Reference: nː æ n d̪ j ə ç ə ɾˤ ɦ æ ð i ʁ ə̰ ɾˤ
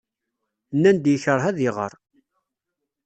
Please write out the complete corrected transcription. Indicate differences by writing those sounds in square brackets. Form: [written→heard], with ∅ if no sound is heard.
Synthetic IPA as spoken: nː æ n d̪ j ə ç ə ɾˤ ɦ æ ð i ʁ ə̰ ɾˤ